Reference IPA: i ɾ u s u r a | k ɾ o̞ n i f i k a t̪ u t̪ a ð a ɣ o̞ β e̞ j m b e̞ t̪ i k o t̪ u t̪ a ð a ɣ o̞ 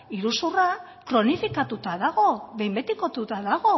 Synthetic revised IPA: i ɾ u s u r a | k ɾ o̞ n i f i k a t̪ u t̪ a ð a ɣ o̞ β e̞ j m b e̞ t̪ i k o t̪ u t̪ a ð a ɣ o̞

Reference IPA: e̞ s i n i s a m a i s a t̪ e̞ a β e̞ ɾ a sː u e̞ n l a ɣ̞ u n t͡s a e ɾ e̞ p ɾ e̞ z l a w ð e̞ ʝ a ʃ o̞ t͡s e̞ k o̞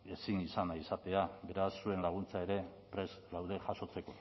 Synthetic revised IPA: e̞ s i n i s a n a i s a t̪ e̞ a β e̞ ɾ a sː u e̞ n l a ɣ̞ u n t͡s a e ɾ e̞ p ɾ e̞ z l a w ð e̞ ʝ a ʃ o̞ t͡s e̞ k o̞

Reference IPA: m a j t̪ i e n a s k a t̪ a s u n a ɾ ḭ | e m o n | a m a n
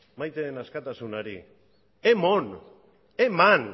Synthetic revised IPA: m a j t̪ e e n a s k a t̪ a s u n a ɾ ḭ | e m o n | e m a n

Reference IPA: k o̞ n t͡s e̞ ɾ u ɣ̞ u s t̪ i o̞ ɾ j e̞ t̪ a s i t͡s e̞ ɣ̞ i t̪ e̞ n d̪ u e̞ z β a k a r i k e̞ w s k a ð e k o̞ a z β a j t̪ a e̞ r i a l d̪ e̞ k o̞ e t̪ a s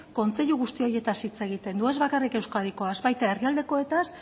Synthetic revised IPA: k o̞ n t͡s e̞ ʎ u ɣ̞ u s t̪ i o̞ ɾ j e̞ t̪ a s i t͡s e̞ ɣ̞ i t̪ e̞ n d̪ u e̞ z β a k a r i k e̞ w s k a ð i k o̞ a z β a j t̪ a e̞ r i a l d̪ e̞ k o̞ e t̪ a s

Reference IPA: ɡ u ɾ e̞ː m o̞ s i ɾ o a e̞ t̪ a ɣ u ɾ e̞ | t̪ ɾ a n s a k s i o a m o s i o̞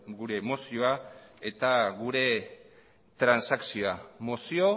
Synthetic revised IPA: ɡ u ɾ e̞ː m o̞ s i o a e̞ t̪ a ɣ u ɾ e̞ | t̪ ɾ a n s a k s i o a m o s i o̞

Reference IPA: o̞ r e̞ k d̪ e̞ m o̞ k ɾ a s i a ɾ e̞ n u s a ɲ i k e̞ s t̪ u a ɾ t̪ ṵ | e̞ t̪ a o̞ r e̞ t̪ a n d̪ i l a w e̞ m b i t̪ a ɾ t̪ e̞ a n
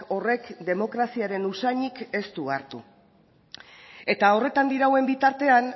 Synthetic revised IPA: o̞ r e̞ k d̪ e̞ m o̞ k ɾ a s i a ɾ e̞ n u s a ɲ i k e̞ s t̪ u a ɾ t̪ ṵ | e̞ t̪ a o̞ r e̞ t̪ a n d̪ i ɾ a w e̞ m b i t̪ a ɾ t̪ e̞ a n

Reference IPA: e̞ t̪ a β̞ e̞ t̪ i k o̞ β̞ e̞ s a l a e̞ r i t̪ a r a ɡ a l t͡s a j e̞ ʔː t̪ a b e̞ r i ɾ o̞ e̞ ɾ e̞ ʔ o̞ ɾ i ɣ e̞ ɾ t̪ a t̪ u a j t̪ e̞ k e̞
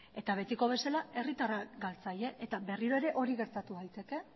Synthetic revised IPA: e̞ t̪ a β̞ e̞ t̪ i k o̞ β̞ e̞ s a l a e̞ r i t̪ a r a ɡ a l t͡s a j e̞ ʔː t̪ a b e̞ r i ɾ o̞ e̞ ɾ e̞ ʔ o̞ ɾ i ɣ e̞ ɾ t̪ a t̪ u a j t̪ e̞ k e̞

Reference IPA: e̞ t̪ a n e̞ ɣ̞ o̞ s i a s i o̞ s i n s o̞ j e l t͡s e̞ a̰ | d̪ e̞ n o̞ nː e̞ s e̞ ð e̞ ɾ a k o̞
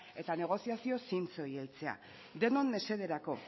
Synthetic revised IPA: e̞ t̪ a n e̞ ɣ̞ o̞ s i a s i o̞ s i n t͡s o̞ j e l t͡s e̞ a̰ | d̪ e̞ n o̞ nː e̞ s e̞ ð e̞ ɾ a k o̞

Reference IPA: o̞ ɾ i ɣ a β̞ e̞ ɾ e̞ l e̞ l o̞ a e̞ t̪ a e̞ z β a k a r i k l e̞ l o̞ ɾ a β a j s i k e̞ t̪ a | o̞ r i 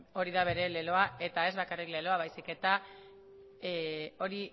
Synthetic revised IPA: o̞ ɾ i ð a β̞ e̞ ɾ e̞ l e̞ l o̞ a e̞ t̪ a e̞ z β a k a r i k l e̞ l o̞ a β a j s i k e̞ t̪ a | o̞ ɾ i

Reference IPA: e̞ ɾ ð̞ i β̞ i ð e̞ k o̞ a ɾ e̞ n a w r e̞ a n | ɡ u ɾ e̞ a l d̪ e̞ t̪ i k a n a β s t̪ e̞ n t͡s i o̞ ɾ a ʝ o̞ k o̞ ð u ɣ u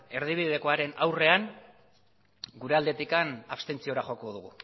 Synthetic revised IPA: e̞ ɾ ð̞ i β̞ i ð e̞ k o̞ a ɾ e̞ n a w r e̞ a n | ɡ u ɾ e̞ a l d̪ e̞ t̪ i k a n a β s t̪ e̞ n t͡s i o̞ ɾ a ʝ o̞ k o̞ ð u ɣ u

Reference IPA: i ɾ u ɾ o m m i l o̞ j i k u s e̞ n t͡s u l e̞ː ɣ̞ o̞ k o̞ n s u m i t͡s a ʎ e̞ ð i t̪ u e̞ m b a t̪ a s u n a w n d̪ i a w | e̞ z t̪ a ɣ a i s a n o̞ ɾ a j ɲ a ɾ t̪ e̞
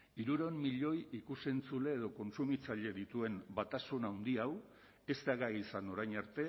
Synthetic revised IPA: i ɾ u ɾ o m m i ʎ o̞ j i k u s e̞ n t͡s u l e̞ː ð̞ o̞ k o̞ n s u m i t͡s a ʎ e̞ ð i t̪ u e̞ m b a t̪ a s u n a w n d̪ i a w | e̞ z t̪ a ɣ a i s a n o̞ ɾ a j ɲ a ɾ t̪ e̞

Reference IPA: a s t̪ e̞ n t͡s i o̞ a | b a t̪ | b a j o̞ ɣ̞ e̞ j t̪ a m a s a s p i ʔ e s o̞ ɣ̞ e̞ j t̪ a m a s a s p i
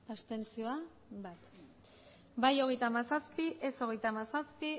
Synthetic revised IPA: a s t̪ e̞ n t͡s i o̞ a | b a t̪ | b a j o̞ ɣ̞ e̞ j t̪ a m a s a s p i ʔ e s o̞ ɣ̞ e̞ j t̪ a m a s a s p i

